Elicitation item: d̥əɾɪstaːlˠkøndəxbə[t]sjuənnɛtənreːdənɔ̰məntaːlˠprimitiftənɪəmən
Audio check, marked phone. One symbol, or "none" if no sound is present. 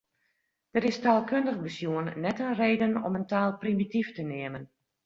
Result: none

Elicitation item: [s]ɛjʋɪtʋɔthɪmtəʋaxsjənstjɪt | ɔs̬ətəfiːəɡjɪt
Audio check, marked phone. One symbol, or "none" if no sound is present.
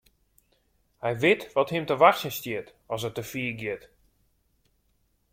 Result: h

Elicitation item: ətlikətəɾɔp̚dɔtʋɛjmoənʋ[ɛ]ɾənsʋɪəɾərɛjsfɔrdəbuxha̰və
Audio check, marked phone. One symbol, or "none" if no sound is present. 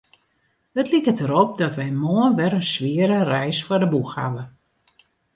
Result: ɛ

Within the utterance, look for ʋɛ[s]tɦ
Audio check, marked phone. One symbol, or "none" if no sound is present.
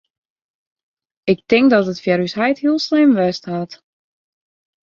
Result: s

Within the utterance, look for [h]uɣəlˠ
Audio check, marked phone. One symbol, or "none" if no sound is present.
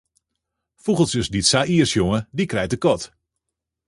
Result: f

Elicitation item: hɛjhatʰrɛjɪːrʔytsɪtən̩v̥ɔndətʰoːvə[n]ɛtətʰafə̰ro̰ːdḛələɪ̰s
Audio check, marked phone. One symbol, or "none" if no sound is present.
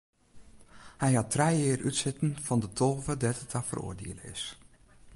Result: d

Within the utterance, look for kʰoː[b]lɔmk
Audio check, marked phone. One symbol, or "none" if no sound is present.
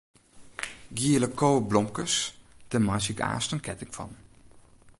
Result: b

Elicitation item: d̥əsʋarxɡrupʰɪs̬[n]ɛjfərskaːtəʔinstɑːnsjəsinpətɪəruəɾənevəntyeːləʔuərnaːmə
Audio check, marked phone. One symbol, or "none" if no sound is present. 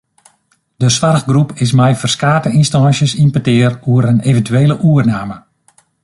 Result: m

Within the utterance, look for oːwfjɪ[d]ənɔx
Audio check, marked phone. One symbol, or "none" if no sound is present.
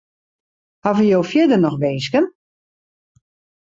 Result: d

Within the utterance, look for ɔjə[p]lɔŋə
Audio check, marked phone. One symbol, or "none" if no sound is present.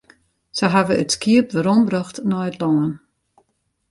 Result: t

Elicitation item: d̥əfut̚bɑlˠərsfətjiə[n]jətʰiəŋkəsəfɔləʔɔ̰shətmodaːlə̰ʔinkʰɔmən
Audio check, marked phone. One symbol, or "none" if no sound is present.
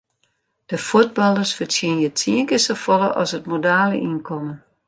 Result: n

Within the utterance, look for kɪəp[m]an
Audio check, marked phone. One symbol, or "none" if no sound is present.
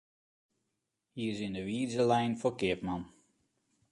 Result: m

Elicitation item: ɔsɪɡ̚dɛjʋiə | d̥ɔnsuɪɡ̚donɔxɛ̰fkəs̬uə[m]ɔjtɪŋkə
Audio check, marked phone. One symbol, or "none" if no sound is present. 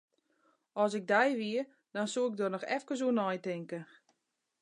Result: n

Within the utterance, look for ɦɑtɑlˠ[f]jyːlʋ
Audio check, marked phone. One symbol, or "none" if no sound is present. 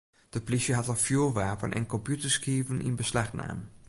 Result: f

